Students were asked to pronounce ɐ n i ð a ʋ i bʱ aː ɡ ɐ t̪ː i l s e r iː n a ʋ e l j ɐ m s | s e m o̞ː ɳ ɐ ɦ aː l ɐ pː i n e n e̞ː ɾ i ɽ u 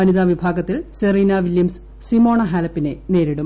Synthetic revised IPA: ɐ n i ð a ʋ i bʱ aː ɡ ɐ t̪ː i l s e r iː n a ʋ i l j ɐ m s | s i m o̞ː ɳ ɐ ɦ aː l ɐ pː i n e n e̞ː ɾ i ɽ u